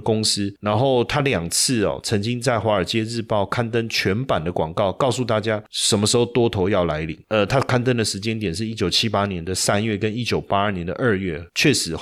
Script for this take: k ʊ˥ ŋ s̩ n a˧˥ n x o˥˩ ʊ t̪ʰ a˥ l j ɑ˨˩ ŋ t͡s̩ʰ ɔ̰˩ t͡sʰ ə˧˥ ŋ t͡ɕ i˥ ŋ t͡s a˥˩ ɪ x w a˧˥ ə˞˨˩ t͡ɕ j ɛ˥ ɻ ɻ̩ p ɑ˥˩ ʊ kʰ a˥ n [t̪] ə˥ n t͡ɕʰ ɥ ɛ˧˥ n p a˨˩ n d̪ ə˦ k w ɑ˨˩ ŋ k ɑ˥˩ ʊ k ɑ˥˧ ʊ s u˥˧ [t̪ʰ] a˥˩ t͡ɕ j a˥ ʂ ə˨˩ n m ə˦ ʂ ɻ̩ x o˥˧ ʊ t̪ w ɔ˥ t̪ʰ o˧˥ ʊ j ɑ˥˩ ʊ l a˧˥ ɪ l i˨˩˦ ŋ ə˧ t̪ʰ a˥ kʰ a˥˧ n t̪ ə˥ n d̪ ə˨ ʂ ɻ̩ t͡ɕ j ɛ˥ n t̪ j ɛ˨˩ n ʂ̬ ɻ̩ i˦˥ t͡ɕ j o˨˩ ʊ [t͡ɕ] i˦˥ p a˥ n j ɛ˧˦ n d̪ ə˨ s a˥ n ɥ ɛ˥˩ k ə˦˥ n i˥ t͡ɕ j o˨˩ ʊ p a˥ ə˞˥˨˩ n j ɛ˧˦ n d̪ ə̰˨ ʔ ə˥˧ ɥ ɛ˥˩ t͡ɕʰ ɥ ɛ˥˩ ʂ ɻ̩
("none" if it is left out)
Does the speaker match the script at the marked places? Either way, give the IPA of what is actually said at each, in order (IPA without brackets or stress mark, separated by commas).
t̪, t̪, t͡ɕʰ